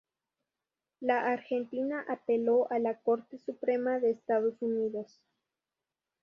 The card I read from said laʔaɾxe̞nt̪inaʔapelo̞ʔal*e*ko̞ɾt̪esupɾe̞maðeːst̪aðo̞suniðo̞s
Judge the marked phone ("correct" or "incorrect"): incorrect